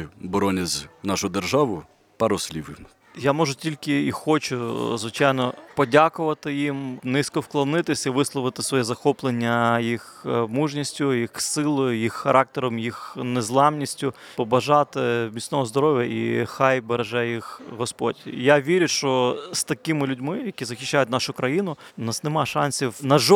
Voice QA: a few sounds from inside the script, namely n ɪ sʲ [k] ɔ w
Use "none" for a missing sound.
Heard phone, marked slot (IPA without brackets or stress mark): k